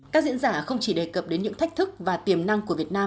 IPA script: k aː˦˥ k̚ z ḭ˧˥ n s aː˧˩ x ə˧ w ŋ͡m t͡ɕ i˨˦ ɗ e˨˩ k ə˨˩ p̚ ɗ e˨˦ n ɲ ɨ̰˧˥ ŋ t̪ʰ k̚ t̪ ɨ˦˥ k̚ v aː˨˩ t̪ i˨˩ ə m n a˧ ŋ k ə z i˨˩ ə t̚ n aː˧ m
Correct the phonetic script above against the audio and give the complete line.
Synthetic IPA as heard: k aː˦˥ k̚ z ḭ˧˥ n z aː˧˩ x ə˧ w ŋ͡m t͡ɕ i˧˩ ɗ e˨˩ k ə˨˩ p̚ ɗ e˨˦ n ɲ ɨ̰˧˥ ŋ t̪ʰ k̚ t̪ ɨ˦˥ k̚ v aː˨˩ t̪ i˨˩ ə m n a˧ ŋ k ə v i˨˩ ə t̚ n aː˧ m